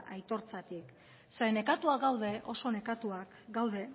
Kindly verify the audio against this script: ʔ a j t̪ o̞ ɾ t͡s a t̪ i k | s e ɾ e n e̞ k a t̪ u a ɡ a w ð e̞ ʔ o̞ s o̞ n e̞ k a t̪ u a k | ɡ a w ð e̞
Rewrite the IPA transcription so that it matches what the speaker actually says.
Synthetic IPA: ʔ a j t̪ o̞ ɾ t͡s a t̪ i k | s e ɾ e n e̞ k a t̪ u a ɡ a w ð e̞ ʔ o̞ s o̞ n e̞ k a t̪ u a k | ɡ a w ð e̞